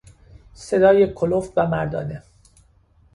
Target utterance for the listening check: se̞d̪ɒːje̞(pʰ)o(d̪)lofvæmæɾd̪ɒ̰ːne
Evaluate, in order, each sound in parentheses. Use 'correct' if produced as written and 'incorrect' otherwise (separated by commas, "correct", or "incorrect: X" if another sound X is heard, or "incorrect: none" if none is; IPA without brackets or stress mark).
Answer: incorrect: kʰ, incorrect: none